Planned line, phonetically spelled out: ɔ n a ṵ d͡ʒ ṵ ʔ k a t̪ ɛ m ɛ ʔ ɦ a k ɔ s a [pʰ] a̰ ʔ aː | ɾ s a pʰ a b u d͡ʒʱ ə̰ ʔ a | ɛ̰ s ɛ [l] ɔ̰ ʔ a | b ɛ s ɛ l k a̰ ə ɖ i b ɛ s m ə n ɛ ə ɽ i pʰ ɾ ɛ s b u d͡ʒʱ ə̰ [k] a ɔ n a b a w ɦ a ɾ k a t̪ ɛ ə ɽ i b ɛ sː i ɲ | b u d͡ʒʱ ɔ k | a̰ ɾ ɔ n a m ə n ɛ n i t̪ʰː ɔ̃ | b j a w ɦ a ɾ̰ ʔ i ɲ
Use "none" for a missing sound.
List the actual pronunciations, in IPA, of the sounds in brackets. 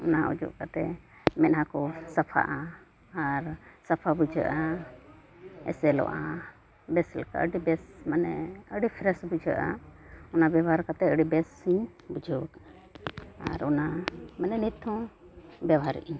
pʰ, l, ʔ

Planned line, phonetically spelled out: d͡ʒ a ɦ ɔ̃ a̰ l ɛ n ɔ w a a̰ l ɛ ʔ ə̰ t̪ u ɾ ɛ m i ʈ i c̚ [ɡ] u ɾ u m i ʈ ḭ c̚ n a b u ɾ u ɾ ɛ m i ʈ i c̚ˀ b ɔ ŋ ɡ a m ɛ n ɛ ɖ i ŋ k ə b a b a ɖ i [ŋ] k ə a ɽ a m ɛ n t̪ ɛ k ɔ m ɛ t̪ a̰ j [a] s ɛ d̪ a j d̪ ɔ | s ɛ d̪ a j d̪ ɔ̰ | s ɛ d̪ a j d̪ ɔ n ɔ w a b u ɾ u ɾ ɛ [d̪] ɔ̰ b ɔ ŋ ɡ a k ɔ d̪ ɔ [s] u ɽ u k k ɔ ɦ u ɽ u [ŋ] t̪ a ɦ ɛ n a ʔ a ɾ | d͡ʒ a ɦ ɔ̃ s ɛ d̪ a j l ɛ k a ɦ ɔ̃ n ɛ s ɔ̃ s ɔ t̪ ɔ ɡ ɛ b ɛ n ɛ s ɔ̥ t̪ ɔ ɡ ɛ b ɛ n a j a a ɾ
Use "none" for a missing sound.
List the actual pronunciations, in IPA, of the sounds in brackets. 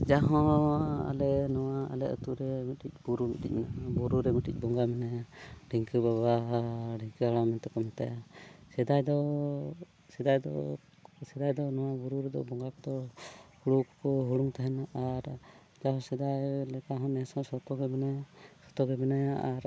b, ŋ, a, d̪, h, ŋ

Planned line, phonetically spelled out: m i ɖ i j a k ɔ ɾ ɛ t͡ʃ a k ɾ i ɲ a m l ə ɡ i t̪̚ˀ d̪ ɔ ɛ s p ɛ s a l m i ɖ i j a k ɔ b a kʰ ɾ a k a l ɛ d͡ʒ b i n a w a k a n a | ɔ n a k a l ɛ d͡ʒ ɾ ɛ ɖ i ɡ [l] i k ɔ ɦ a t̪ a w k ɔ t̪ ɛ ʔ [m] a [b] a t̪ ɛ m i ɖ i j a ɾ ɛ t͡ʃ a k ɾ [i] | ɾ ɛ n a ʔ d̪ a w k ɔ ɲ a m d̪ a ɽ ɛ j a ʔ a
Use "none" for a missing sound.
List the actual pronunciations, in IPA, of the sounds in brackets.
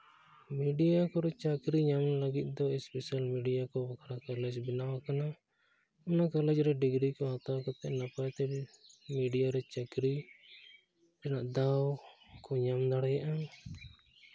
ɾ, n, p, i

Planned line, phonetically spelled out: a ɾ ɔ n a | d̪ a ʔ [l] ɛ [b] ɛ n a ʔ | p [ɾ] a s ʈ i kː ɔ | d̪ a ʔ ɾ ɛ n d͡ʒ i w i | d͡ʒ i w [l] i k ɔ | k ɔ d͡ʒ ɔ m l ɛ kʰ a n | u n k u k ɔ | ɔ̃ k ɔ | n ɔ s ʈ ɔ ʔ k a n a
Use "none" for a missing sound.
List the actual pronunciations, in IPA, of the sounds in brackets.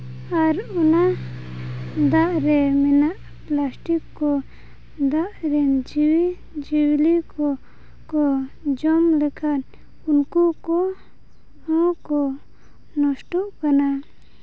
ɾ, m, l, l

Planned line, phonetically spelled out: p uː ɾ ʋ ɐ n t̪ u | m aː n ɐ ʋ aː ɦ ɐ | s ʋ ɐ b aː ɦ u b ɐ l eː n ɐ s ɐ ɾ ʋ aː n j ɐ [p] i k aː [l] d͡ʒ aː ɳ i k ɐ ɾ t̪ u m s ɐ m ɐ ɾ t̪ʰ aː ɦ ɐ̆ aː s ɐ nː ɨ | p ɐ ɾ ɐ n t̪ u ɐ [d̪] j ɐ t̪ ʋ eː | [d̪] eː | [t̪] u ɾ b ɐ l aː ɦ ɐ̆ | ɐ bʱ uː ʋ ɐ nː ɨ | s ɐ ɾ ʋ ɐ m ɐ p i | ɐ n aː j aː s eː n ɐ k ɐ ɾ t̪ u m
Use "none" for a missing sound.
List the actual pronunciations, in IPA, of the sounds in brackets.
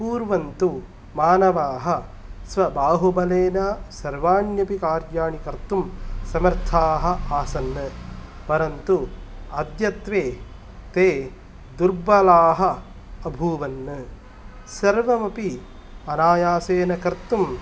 p, ɾ, d̪, t̪, d̪

